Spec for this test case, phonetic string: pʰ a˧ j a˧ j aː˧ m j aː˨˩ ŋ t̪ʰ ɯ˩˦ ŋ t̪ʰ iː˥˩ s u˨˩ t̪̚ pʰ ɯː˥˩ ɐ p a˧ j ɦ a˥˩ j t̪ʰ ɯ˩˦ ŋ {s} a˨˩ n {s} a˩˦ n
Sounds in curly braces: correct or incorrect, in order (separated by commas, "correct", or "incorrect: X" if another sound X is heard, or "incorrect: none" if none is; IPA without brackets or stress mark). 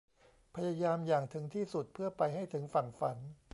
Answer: incorrect: f, incorrect: f